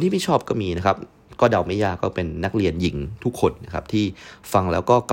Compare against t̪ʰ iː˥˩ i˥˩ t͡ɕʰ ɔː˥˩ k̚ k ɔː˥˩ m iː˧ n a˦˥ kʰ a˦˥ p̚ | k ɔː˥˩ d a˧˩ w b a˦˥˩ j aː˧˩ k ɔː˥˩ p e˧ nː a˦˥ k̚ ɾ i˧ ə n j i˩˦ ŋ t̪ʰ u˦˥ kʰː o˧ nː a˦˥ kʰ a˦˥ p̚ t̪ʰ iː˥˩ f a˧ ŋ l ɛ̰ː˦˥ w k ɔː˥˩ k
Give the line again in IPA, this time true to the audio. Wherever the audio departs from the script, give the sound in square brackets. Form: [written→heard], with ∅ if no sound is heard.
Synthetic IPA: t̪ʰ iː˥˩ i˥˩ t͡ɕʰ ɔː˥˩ [k̚→p̚] k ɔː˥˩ m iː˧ n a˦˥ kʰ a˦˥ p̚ | k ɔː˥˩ d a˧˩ w [b→m] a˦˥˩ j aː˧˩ k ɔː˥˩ p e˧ nː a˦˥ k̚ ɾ i˧ ə n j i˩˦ ŋ t̪ʰ u˦˥ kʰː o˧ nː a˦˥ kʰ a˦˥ p̚ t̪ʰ iː˥˩ f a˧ ŋ l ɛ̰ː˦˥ w k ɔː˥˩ k